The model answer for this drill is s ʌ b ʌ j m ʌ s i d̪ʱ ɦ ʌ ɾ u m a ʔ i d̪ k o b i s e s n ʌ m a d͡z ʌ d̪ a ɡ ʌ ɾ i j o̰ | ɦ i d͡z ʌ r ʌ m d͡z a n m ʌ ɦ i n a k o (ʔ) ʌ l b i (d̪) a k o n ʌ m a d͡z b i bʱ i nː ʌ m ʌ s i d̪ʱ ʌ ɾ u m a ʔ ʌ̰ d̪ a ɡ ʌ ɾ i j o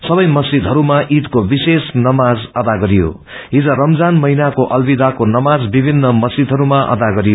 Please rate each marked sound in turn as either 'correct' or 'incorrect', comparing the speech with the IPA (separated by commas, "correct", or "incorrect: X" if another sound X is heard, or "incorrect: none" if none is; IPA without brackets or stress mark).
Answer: correct, correct